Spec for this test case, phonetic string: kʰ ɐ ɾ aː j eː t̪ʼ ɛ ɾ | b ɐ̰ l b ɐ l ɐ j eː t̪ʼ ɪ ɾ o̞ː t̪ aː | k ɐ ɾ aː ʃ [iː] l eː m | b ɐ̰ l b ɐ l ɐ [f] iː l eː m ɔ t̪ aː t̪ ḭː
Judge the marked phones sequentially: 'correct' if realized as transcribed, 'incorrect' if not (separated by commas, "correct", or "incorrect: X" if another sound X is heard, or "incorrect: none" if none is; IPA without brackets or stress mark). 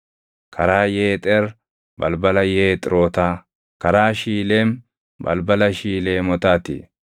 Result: correct, incorrect: ʃ